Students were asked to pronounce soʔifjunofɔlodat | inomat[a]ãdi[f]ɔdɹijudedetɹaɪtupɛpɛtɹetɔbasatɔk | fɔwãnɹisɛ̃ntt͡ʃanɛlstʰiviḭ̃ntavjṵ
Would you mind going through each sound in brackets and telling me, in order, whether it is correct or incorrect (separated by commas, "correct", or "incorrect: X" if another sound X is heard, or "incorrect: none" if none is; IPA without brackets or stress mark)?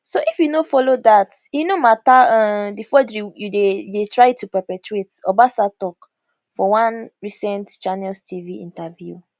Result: correct, correct